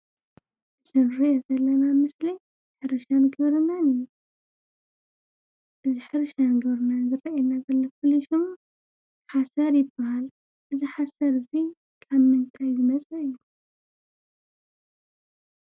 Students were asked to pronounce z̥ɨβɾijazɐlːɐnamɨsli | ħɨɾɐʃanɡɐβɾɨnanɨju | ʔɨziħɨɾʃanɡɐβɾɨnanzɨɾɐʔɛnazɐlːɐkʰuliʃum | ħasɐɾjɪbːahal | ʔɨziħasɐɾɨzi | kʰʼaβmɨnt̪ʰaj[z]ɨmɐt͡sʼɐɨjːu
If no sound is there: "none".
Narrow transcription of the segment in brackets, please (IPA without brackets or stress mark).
z